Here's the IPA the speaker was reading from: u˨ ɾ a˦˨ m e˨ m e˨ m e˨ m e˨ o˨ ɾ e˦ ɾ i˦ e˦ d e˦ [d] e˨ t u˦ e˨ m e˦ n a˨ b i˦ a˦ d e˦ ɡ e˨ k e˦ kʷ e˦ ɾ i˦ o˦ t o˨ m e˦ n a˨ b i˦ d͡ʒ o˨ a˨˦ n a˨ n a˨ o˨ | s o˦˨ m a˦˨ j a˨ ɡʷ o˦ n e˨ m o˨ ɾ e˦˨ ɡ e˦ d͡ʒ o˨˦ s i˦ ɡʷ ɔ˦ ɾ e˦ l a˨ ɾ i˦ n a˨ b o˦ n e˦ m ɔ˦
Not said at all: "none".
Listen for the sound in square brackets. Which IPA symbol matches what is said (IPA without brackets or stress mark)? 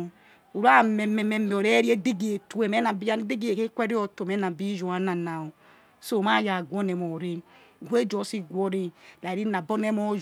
ɡ